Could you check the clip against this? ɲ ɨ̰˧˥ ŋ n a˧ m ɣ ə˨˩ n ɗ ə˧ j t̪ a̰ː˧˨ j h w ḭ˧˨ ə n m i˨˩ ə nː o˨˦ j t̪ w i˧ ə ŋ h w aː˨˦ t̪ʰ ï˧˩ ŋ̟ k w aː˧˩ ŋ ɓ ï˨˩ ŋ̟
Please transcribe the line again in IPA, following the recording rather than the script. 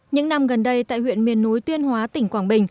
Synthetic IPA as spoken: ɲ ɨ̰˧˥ ŋ n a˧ m ɣ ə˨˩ n ɗ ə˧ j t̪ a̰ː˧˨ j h w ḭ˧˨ ə n m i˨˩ ə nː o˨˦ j t̪ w i˧ ə n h w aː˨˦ t̪ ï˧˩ ŋ̟ k w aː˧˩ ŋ ɓ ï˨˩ ŋ̟

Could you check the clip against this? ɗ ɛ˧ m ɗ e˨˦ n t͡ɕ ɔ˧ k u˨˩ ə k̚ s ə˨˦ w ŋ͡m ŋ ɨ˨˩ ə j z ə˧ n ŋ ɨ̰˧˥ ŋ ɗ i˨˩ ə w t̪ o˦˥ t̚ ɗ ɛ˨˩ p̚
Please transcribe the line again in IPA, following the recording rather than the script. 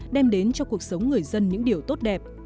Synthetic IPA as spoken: ɗ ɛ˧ m ɗ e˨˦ n t͡ɕ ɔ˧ k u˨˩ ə k̚ s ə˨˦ w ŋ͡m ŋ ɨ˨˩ ə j z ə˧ n ɲ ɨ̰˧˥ ŋ ɗ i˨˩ ə w t̪ o˦˥ t̚ ɗ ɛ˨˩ p̚

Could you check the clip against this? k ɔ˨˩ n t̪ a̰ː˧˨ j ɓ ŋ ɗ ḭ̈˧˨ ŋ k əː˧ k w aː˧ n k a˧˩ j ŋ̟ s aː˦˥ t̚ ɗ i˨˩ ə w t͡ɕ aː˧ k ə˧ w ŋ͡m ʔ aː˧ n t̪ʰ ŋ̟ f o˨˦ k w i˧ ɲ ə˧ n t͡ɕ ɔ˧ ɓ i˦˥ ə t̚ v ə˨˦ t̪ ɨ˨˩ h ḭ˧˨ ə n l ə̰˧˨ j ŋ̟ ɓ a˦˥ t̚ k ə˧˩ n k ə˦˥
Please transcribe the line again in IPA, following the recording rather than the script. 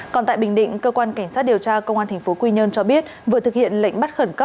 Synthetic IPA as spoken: k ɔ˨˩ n t̪ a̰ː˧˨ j ɓ ŋ ɗ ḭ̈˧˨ ŋ k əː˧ k w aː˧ n k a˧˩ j ŋ̟ s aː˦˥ t̚ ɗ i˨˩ ə w t͡ɕ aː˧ k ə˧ w ŋ͡m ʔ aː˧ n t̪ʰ ŋ̟ f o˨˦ k w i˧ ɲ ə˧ n t͡ɕ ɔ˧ ɓ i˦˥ ə t̚ v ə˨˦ t̪ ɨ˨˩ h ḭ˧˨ ə n l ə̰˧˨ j ŋ̟ ɓ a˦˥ t̚ x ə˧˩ n k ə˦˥

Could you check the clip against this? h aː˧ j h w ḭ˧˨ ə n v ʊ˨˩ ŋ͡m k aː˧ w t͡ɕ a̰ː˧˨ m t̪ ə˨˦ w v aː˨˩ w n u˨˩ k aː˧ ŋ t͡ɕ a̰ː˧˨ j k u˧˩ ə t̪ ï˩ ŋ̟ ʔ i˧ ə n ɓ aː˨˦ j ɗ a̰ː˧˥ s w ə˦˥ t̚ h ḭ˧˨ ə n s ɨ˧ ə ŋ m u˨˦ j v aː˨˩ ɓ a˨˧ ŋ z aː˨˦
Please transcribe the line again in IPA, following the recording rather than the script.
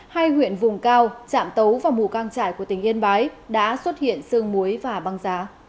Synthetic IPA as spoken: h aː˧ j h w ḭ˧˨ ə n v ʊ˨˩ ŋ͡m k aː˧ w t͡ɕ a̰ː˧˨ m t̪ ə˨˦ w v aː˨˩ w m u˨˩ k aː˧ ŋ t͡ɕ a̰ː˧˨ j k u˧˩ ə t̪ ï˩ ŋ̟ ʔ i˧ ə n ɓ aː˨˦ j ɗ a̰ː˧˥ s w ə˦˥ t̚ h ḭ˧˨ ə n s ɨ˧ ə ŋ m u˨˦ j v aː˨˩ ɓ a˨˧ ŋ z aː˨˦

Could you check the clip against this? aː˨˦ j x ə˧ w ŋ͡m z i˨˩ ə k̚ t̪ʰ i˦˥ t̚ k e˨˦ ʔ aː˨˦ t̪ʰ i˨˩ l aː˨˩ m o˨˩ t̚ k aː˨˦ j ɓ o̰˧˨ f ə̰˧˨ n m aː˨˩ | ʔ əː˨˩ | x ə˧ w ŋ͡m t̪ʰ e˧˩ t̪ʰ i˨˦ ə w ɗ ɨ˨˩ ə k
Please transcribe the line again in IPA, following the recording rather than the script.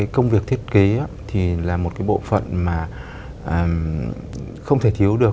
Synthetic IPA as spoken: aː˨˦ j k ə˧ w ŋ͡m v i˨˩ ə k̚ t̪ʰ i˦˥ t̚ k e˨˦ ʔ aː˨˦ t̪ʰ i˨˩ l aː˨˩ m o˨˩ t̚ k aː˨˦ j ɓ o̰˧˨ f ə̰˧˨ n m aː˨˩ | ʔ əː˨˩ | x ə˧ w ŋ͡m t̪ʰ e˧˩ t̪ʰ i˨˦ ə w ɗ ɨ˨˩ ə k

